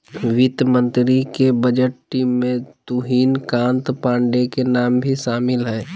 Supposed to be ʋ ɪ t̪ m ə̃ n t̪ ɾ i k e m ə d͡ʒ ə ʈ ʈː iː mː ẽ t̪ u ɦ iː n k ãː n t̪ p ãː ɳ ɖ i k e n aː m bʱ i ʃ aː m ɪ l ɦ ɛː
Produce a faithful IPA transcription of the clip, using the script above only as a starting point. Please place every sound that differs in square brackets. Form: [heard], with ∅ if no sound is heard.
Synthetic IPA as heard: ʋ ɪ t̪ m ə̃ n t̪ ɾ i k e [b] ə d͡ʒ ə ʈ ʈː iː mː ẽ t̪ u ɦ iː n k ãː n t̪ p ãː ɳ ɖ [e] k e n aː m bʱ i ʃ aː m ɪ l ɦ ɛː